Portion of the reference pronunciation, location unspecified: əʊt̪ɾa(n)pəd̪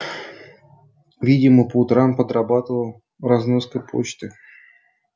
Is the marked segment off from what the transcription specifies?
yes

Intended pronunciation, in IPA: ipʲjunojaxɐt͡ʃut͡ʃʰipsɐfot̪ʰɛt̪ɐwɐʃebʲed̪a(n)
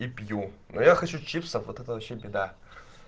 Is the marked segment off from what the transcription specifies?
yes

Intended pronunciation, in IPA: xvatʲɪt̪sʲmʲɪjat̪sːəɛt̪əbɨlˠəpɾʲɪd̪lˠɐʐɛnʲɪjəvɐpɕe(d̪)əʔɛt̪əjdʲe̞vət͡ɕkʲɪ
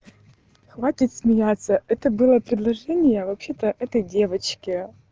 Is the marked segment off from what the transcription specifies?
yes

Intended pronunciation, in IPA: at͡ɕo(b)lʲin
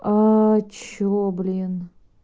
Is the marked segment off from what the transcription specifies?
no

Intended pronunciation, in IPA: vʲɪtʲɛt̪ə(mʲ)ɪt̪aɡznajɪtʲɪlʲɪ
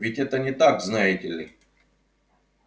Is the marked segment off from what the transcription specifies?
yes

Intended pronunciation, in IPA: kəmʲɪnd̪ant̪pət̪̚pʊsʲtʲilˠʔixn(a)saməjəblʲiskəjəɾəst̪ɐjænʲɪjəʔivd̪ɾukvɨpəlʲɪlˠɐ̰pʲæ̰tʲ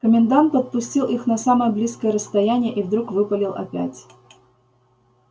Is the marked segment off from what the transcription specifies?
yes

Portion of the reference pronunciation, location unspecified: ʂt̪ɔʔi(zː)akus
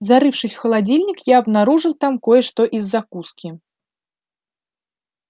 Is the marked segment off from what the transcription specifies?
no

